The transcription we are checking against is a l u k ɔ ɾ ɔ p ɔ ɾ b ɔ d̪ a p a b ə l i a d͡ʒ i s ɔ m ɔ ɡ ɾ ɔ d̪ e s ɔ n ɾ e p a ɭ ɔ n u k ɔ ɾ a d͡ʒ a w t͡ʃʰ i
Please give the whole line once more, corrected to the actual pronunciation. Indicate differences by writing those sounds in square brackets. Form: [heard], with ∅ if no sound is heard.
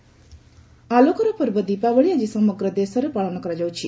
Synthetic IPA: a l [o] k ɔ ɾ ɔ p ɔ ɾ b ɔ d̪ [i] p a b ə [ɭ] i a d͡ʒ i s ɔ m ɔ ɡ ɾ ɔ d̪ e s ɔ [∅] ɾ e p a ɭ ɔ n [ɔ] k ɔ ɾ a d͡ʒ a w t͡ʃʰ i